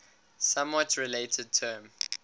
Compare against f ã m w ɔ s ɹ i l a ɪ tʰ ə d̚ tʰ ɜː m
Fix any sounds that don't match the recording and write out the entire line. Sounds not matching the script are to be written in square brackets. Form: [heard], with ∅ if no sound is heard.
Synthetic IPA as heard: [s] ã m w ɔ [t] ɹ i l [e] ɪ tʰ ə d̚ tʰ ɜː m